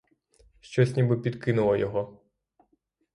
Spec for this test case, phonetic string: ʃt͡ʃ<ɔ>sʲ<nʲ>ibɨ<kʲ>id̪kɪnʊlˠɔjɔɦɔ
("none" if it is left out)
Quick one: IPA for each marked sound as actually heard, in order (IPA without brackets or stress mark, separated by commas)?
ɔ, nʲ, pʲ